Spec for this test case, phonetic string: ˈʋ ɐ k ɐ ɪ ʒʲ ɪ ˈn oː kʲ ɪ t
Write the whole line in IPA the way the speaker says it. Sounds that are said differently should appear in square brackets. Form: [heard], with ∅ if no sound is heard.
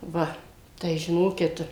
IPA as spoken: ˈʋ ɐ [t] ɐ ɪ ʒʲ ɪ ˈn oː kʲ ɪ t